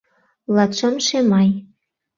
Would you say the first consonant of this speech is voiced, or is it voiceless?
voiced